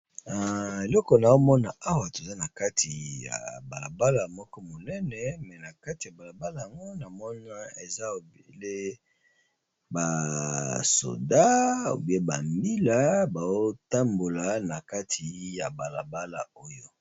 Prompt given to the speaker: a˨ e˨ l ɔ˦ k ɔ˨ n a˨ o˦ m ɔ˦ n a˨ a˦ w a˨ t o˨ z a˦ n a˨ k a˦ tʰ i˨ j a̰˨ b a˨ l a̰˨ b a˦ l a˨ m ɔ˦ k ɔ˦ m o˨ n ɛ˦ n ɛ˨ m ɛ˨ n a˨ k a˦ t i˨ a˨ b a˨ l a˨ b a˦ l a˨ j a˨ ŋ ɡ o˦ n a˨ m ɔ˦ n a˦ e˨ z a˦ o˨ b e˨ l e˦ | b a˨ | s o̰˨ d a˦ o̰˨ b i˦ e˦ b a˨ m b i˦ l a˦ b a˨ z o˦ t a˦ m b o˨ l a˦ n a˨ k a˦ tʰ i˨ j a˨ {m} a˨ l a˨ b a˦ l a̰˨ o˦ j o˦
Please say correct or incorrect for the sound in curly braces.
incorrect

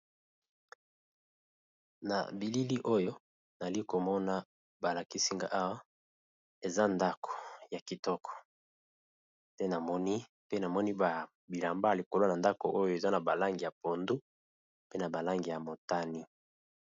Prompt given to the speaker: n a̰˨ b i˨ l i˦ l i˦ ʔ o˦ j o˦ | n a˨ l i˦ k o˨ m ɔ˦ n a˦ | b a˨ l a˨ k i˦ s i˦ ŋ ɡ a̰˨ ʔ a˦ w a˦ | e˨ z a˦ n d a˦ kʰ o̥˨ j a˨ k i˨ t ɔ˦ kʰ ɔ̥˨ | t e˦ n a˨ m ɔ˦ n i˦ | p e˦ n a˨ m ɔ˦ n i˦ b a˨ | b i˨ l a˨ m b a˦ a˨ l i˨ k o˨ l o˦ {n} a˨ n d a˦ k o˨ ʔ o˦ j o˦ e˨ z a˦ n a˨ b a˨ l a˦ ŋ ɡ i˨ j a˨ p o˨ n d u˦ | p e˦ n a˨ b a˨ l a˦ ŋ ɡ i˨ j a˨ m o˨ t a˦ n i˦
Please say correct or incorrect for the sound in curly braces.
correct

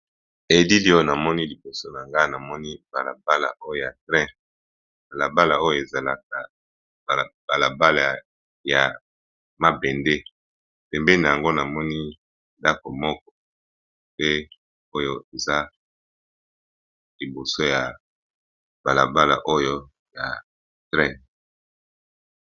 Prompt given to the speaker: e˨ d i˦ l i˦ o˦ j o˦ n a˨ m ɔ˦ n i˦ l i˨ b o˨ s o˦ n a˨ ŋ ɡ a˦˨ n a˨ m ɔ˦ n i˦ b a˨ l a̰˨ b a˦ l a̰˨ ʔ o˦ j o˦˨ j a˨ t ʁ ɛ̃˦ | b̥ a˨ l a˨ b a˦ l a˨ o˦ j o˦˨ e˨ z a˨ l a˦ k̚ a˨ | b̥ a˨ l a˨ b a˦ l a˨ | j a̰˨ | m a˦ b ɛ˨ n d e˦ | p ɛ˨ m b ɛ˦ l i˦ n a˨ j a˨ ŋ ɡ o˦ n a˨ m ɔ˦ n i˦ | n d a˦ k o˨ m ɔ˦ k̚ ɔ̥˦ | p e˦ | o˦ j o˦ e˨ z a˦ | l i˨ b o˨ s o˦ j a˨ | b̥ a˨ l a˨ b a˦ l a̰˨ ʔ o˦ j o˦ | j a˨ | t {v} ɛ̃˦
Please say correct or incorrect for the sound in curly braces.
incorrect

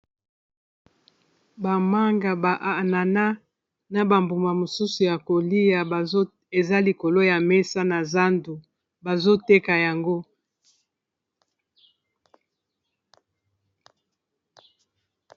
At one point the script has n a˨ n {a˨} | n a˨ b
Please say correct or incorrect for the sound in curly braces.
incorrect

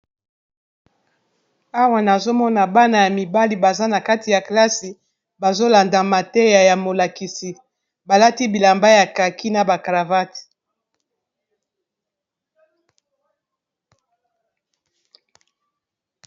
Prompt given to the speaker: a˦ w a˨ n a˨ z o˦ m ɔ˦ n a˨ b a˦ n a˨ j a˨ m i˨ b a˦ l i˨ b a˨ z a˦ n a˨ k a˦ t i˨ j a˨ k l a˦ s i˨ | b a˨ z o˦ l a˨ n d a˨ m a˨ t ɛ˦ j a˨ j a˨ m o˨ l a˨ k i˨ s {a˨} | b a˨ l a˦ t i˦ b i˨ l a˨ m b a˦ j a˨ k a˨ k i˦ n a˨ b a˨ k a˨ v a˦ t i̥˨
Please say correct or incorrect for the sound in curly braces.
incorrect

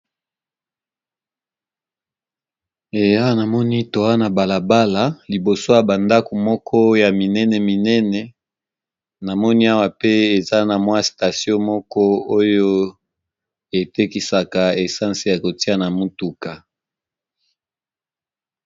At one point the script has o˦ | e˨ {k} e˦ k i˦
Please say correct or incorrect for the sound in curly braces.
incorrect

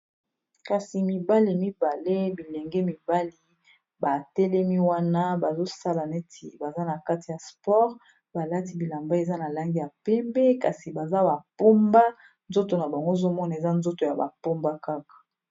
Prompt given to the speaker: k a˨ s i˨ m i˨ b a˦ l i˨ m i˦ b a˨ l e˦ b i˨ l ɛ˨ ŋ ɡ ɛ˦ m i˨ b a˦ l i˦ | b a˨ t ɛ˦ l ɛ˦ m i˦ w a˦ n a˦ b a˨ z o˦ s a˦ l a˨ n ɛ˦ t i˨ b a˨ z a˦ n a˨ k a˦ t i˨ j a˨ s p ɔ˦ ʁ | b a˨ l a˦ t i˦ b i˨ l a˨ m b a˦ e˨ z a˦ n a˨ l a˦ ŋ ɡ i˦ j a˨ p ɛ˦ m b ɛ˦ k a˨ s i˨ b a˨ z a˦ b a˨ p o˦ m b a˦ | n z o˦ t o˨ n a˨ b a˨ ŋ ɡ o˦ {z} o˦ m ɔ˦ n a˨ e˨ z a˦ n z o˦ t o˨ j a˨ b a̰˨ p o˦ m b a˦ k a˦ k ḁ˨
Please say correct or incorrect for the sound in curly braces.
correct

